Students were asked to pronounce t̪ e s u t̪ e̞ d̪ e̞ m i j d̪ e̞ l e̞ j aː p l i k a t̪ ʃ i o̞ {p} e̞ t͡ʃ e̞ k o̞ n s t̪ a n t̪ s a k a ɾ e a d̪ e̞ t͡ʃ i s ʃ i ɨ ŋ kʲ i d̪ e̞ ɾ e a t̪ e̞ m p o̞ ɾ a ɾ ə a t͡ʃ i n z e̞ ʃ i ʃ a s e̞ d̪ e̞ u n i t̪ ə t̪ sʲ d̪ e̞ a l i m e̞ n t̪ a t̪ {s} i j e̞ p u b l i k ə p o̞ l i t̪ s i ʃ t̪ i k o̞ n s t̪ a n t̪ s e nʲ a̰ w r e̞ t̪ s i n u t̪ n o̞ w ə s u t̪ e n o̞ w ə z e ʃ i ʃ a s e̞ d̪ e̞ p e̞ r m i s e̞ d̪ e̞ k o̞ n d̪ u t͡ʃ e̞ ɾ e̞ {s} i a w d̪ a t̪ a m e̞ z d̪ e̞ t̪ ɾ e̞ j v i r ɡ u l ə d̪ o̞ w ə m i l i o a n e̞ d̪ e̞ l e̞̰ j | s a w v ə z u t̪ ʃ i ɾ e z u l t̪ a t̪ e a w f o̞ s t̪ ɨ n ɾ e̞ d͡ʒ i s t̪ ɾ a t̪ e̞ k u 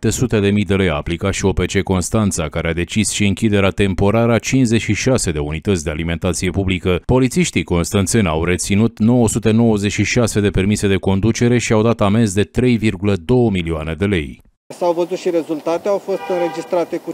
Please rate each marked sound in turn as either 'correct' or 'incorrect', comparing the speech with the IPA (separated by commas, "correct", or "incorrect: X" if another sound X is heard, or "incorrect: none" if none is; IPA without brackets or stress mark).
correct, correct, incorrect: ʃ